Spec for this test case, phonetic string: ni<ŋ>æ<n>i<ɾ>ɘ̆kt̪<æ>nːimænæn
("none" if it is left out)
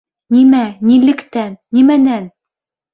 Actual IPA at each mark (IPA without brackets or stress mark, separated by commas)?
m, n, l, æ